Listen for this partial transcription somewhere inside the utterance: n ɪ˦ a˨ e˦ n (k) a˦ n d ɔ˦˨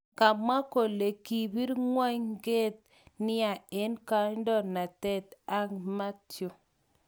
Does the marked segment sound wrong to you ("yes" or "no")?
no